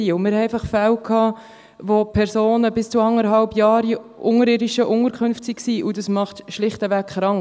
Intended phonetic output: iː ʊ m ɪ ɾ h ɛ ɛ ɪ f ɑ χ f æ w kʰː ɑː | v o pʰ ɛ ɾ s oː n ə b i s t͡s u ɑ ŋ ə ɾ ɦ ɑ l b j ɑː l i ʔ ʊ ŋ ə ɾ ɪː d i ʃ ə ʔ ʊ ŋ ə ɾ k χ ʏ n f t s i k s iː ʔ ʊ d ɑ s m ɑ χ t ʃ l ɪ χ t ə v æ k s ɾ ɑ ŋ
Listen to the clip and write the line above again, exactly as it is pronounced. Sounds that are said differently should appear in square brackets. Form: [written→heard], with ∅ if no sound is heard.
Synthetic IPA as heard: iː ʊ m ɪ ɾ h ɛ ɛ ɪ f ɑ χ f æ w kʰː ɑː | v o pʰ ɛ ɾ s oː n ə b [i→ɪ] s t͡s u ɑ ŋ ə ɾ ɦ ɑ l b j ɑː [l→ɾ] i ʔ ʊ ŋ ə ɾ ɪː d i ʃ ə ʔ ʊ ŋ ə ɾ k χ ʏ n f t s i k s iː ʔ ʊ d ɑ s m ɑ χ t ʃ l ɪ χ t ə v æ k [s→χ] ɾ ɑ ŋ

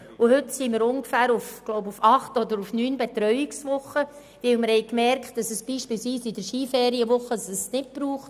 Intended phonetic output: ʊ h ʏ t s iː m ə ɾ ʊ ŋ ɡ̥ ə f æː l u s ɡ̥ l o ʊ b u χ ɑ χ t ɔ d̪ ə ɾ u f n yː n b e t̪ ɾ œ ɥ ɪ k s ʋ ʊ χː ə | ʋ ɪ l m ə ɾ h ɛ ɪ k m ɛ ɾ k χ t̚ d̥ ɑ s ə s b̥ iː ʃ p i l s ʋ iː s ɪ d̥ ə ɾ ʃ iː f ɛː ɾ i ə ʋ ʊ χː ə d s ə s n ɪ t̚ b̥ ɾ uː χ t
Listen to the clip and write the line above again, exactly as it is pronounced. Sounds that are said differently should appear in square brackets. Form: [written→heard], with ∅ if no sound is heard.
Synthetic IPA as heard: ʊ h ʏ t s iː m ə ɾ ʊ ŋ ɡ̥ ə f æː [l→ɾ] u [s→f] ɡ̥ l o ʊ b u [χ→f] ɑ χ t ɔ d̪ ə ɾ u f n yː n b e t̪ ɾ œ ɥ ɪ k s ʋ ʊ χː ə | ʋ ɪ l m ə ɾ h ɛ ɪ k m ɛ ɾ k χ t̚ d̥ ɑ s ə s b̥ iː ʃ p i l s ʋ iː s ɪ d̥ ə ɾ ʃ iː f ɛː ɾ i ə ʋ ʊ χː ə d s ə s n ɪ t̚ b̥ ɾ uː χ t

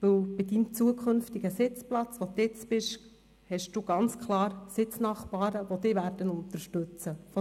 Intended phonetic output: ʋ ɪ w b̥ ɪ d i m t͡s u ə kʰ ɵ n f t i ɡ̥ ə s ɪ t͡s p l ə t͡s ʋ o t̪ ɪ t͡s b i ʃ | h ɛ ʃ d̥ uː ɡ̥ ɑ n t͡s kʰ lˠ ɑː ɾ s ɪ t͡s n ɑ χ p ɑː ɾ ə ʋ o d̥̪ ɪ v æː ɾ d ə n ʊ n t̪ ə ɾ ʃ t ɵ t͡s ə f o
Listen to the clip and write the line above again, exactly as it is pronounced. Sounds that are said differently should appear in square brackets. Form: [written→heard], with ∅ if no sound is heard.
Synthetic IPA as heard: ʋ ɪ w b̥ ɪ d i m t͡s u ə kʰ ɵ n f t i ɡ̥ ə s ɪ t͡s p l [ə→ɑ] t͡s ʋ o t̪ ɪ t͡s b [i→ɪ] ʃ | h ɛ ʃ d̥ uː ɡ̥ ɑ n t͡s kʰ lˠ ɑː ɾ s ɪ t͡s n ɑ χ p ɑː ɾ ə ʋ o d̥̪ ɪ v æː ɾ d ə n ʊ n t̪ ə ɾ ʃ t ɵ t͡s ə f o

